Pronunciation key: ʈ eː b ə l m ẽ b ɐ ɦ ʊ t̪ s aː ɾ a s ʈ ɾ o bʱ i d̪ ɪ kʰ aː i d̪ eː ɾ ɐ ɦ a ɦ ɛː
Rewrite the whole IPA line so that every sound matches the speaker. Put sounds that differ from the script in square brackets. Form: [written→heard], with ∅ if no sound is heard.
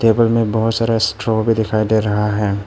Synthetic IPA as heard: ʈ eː b ə l m ẽ b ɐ ɦ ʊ t̪ s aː ɾ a s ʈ ɾ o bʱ i d̪ ɪ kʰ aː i d̪ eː ɾ ɐ ɦ a ɦ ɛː